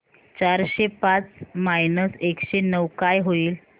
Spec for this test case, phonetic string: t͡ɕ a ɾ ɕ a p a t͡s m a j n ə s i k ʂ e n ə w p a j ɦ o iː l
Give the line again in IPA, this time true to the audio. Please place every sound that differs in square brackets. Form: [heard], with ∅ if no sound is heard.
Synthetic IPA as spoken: t͡ɕ a ɾ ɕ [e] p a t͡s m a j n ə s [e] k [ɕ] e n ə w [k] a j ɦ o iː l